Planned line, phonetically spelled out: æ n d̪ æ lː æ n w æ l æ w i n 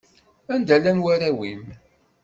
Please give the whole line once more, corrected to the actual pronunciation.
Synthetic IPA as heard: æ n d̪ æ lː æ n w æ ɾ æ w i m

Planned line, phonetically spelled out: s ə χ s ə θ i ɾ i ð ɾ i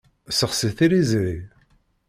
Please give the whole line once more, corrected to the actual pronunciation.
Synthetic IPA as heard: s ə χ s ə θ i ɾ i z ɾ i

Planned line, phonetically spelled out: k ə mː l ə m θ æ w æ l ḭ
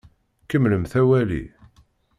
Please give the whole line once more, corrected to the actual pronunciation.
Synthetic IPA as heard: k ə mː l ə m θ æ w æ l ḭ

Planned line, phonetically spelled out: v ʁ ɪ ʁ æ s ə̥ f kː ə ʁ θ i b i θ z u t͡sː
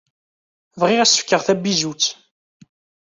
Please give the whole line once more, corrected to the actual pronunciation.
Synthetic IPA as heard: v ʁ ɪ ʁ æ s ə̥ f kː ə ʁ θ æ b i z u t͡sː

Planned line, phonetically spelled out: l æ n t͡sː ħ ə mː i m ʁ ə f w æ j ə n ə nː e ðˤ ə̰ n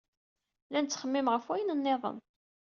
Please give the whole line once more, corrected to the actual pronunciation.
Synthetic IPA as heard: l æ n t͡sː χ ə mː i m ʁ ə f w æ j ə n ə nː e ðˤ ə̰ n

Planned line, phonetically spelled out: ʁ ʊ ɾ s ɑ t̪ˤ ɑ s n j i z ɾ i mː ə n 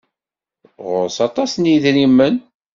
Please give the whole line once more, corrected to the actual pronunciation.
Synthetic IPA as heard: ʁ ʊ ɾ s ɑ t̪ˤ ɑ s n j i ð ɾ i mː ə n

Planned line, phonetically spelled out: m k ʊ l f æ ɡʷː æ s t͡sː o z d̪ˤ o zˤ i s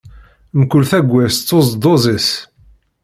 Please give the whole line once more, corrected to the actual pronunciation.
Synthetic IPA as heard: m k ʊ l θ æ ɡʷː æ s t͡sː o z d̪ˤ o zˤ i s

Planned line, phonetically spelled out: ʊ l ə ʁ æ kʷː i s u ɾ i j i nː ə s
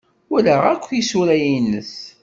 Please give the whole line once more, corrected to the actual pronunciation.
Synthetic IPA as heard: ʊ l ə ʁ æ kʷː i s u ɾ æ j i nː ə s

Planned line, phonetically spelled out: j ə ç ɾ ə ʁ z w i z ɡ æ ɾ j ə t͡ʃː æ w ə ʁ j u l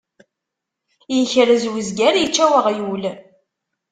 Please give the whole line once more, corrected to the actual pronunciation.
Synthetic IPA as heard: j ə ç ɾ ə z w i z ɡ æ ɾ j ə t͡ʃː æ w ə ʁ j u l

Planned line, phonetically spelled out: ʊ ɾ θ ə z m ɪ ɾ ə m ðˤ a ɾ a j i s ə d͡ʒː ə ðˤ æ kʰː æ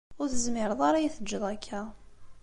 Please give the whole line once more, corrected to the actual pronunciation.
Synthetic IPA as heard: ʊ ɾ θ ə z m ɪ ɾ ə ðˤ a ɾ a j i θ ə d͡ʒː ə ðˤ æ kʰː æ

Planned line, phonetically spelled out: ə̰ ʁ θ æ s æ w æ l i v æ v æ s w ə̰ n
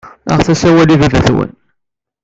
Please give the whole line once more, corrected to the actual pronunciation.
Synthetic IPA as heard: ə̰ ʁ θ æ s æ w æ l i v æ v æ θ w ə̰ n

